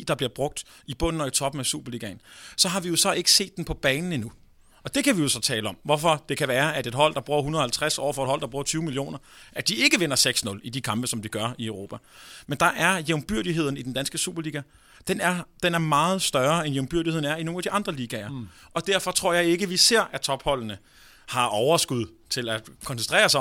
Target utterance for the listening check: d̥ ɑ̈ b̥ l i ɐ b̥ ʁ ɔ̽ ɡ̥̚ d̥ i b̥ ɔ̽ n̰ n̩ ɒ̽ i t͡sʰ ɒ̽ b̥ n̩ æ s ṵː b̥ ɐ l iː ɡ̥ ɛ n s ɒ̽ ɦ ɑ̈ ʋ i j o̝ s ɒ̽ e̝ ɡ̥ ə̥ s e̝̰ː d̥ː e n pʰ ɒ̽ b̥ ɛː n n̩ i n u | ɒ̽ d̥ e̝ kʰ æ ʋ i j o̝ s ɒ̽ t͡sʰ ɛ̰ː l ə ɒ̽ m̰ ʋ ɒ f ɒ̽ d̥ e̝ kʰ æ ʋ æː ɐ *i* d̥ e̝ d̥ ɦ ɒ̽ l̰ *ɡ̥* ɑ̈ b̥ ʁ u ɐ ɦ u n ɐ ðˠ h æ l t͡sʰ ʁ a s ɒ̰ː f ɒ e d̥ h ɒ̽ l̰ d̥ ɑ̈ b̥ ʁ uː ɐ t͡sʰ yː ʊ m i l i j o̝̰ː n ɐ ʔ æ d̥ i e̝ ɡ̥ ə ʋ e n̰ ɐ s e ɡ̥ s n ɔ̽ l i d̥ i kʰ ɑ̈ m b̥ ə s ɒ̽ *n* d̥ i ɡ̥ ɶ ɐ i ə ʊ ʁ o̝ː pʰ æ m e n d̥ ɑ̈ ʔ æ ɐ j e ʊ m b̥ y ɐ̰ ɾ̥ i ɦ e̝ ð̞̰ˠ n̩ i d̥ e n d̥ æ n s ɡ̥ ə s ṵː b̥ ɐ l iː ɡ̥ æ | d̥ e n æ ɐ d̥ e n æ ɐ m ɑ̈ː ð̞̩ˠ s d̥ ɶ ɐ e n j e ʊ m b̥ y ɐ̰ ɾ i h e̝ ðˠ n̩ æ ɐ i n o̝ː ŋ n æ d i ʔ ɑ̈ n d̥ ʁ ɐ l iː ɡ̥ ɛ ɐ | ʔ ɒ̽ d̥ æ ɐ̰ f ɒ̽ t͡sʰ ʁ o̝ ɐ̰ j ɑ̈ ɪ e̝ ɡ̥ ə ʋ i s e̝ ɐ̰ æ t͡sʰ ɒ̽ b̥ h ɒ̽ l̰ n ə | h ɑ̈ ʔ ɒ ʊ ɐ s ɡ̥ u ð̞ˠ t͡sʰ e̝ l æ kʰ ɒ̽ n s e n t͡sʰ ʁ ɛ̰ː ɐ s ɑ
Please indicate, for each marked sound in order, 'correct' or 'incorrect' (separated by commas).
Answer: incorrect, incorrect, incorrect